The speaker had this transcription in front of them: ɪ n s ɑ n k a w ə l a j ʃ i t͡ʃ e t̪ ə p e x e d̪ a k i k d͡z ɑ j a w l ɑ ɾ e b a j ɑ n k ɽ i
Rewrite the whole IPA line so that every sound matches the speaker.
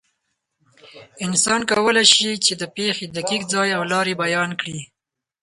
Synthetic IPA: ɪ n s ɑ n k a w ə l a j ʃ i t͡ʃ e d̪ ə p e x e d̪ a k i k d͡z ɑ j a w l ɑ ɾ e b a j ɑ n k ɽ i